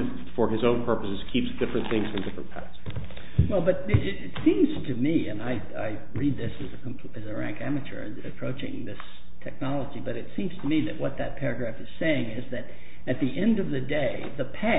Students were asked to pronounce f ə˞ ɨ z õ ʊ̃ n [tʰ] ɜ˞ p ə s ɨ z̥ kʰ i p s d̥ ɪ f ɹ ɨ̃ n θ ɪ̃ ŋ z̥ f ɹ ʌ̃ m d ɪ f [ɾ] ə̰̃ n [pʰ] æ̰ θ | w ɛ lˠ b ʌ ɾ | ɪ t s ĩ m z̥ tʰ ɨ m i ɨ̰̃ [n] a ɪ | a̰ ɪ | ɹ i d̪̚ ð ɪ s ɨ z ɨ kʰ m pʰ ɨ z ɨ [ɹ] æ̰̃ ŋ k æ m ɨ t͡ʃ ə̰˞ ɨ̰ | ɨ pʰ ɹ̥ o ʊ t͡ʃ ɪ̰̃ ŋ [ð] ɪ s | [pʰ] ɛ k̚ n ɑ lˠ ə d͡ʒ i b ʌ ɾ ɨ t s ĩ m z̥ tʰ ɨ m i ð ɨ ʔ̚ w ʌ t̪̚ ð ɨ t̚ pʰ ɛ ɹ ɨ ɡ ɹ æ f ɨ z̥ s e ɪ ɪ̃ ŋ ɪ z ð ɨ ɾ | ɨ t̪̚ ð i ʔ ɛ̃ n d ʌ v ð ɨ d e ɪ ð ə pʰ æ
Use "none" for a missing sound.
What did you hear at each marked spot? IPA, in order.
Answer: pʰ, ɹ, pʰ, n, ɹ, ð, tʰ

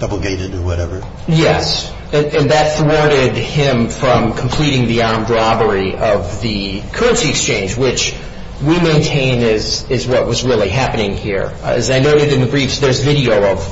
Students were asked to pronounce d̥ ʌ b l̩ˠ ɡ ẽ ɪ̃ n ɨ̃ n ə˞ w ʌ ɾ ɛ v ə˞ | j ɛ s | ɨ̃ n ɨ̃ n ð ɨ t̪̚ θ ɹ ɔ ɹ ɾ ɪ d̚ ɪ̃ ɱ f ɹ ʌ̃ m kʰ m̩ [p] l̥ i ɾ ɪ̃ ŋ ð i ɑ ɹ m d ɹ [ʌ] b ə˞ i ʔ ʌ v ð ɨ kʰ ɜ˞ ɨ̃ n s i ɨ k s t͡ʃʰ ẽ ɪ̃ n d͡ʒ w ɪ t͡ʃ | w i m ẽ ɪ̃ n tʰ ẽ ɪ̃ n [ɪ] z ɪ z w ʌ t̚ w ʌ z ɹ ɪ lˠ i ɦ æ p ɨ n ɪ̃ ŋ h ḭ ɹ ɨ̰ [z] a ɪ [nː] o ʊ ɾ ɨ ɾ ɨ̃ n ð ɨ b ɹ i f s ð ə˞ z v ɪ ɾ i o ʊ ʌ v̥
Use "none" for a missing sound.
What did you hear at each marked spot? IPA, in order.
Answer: pʰ, ɑ, ɪ, z, n

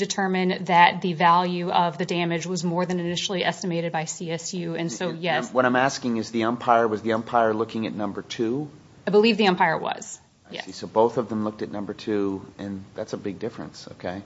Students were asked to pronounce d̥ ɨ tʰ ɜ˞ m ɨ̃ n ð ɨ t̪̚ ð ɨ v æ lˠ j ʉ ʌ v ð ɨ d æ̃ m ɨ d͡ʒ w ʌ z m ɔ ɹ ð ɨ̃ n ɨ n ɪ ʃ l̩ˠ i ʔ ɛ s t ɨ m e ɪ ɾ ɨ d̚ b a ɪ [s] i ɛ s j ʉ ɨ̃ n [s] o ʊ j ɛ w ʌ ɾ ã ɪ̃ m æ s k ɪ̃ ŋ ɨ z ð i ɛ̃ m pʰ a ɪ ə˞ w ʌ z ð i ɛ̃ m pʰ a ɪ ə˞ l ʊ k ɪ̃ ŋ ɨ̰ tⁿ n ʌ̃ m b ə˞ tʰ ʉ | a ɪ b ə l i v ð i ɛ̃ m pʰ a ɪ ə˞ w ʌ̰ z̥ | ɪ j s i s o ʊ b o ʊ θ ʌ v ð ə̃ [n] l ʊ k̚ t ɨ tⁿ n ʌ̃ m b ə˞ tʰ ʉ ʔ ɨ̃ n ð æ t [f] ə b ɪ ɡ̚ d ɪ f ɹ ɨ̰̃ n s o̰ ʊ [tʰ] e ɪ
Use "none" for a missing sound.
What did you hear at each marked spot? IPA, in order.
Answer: s, s, m, s, kʰ

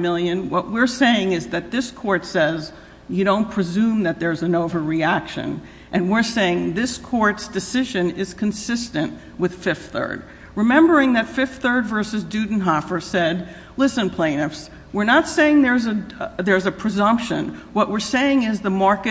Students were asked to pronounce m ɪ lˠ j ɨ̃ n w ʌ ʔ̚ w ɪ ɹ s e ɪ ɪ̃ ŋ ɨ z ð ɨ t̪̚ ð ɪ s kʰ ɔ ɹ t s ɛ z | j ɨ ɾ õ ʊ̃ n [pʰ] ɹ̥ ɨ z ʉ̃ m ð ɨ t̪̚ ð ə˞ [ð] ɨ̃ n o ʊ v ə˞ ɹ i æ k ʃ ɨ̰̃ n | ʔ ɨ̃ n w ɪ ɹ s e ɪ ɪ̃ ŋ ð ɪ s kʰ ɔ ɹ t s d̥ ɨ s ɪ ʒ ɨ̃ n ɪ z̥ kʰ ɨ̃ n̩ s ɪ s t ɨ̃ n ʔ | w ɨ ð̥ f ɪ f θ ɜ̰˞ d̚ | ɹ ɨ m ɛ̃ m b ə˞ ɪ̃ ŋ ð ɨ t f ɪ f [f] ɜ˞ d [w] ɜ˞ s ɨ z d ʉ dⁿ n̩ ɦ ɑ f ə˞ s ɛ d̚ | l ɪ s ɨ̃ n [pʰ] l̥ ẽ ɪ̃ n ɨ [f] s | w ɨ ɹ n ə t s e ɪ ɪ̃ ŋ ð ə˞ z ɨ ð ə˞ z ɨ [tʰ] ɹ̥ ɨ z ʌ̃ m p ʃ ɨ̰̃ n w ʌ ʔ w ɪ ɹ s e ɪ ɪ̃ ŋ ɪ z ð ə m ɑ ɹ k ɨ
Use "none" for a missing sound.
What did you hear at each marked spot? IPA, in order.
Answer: pʰ, z, θ, v, pʰ, f, pʰ

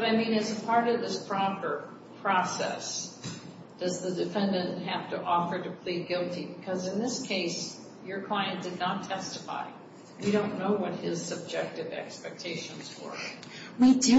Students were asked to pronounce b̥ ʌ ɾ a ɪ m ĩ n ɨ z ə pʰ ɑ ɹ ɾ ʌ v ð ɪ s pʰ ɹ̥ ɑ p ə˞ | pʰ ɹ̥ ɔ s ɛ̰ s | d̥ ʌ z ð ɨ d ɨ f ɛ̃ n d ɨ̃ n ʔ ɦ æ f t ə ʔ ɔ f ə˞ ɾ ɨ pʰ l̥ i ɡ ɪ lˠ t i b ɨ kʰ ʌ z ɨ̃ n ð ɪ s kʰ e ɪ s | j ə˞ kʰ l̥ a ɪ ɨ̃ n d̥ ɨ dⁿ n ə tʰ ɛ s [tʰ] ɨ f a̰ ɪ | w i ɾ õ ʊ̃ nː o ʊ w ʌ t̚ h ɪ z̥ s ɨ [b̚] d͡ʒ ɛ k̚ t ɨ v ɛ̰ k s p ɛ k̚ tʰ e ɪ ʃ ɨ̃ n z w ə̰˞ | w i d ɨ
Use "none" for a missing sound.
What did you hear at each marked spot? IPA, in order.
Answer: t, b̚

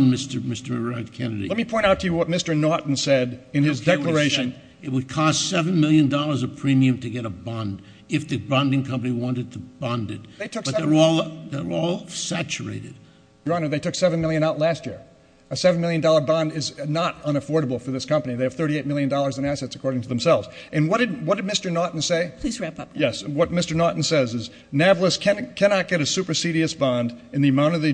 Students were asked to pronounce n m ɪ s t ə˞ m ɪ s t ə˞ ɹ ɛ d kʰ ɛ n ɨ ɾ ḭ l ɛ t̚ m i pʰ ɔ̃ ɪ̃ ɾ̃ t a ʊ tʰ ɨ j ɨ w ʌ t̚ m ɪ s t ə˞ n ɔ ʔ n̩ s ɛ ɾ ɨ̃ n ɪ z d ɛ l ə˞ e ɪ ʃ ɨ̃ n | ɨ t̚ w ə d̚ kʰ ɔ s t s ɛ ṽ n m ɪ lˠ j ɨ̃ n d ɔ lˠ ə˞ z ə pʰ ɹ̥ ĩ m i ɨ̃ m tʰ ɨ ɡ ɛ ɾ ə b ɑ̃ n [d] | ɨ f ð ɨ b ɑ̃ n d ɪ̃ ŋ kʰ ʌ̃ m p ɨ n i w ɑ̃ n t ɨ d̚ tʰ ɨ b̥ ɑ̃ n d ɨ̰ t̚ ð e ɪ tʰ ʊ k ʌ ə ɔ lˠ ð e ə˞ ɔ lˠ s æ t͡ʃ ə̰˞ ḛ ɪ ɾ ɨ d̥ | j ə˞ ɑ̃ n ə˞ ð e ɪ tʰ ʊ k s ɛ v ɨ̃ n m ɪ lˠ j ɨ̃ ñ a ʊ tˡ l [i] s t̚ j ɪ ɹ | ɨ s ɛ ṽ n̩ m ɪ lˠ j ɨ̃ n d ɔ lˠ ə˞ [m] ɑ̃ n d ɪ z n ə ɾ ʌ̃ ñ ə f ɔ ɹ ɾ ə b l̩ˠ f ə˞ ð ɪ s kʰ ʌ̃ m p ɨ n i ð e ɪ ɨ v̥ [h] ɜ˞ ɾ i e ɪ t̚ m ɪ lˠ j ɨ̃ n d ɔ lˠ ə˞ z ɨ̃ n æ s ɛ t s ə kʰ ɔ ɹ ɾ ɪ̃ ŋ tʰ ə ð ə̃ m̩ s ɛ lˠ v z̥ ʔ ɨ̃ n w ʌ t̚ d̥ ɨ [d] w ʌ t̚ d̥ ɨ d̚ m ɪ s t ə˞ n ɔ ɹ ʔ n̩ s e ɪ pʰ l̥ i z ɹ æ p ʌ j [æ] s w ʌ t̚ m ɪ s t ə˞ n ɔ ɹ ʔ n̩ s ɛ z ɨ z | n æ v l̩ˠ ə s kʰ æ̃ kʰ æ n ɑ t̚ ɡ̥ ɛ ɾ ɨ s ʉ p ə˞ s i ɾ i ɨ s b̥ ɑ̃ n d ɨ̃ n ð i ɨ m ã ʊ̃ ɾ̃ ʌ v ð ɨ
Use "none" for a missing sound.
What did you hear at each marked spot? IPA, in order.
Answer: d, æ, b, θ, d, ɛ

